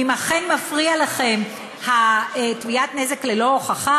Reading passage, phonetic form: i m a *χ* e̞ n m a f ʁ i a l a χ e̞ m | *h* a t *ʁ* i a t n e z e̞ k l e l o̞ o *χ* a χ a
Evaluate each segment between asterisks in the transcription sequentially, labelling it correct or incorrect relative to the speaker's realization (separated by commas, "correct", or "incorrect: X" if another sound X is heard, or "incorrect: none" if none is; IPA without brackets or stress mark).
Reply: correct, correct, incorrect: v, correct